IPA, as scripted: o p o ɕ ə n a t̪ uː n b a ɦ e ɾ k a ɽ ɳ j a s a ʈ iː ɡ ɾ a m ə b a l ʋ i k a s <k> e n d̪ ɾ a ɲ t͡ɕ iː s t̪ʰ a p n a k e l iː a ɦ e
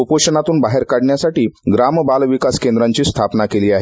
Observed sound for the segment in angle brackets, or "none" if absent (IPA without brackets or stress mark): k